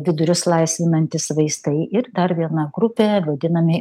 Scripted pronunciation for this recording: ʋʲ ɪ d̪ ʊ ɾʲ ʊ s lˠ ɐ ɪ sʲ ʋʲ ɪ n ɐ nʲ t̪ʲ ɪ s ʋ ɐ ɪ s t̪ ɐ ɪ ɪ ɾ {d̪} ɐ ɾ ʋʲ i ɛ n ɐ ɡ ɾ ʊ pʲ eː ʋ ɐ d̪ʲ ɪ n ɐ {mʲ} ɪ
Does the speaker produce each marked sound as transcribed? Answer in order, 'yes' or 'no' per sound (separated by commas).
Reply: yes, yes